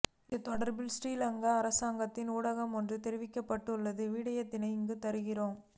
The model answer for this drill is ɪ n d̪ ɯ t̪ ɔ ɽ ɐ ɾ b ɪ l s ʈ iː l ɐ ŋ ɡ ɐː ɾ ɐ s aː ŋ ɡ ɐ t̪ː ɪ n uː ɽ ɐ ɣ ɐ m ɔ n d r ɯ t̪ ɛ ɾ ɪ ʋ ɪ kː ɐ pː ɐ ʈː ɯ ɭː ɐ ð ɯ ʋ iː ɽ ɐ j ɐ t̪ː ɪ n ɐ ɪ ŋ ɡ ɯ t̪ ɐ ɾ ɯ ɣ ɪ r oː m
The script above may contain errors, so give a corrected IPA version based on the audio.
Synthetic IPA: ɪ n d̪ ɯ t̪ ɔ ɽ ɐ ɾ b ɪ l s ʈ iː l ɐ ŋ ɡ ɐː ɾ ɐ s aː ŋ ɡ ɐ t̪ː ɪ n uː ɽ ɐ ɣ ɐ m ɔ n d r ɯ t̪ ɛ ɾ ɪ ʋ ɪ kː ɐ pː ɐ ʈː ɯ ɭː ɐ ð ɯ ʋ iː ɽ ɐ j ɐ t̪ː ɪ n ɐ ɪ ŋ ɡ ɯ t̪ ɐ ɾ ɯ ɣ ɪ r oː m